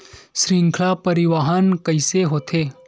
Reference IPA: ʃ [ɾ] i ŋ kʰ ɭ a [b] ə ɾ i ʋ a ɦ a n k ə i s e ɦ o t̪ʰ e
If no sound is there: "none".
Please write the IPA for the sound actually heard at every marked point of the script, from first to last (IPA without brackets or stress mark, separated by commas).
ɾ, p